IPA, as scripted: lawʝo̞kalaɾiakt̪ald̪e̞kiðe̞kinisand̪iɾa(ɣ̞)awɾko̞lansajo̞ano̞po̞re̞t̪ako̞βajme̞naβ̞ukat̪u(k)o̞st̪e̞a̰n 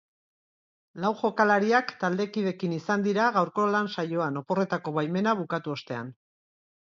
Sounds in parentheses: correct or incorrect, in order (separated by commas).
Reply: correct, incorrect